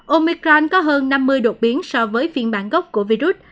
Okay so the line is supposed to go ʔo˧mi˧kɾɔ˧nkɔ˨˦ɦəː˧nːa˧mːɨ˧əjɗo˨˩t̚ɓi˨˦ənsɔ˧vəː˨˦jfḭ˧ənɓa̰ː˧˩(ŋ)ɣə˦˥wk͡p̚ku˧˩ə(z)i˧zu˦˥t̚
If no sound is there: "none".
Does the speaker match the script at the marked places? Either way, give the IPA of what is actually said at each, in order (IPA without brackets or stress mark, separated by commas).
n, v